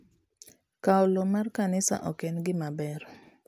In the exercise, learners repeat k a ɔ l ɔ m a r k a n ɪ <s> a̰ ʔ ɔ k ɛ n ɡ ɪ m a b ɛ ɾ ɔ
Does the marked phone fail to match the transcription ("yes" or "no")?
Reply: no